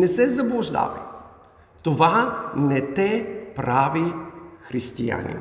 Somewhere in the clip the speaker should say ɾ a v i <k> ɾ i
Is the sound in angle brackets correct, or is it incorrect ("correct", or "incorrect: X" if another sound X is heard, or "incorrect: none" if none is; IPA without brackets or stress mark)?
incorrect: x